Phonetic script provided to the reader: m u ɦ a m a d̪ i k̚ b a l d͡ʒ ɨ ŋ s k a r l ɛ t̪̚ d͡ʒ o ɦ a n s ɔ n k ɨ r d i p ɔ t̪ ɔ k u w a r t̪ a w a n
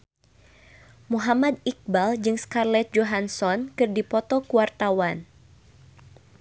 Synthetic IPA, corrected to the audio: m u ɦ a m a d̪ i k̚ b a l d͡ʒ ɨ ŋ s k a r l ɛ t̪̚ d͡ʒ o ɦ a n s ɔ n k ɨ r d i p ɔ t̪ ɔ k u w a r t̪ a w a n